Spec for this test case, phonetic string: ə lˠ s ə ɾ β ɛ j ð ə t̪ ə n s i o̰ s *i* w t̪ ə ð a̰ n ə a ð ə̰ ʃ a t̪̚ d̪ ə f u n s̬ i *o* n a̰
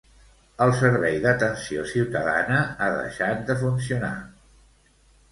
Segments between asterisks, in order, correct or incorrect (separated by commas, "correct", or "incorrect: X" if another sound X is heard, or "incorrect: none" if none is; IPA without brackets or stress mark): correct, incorrect: u